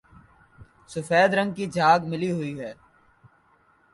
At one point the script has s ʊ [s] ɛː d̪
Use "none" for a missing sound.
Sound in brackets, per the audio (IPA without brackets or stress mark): f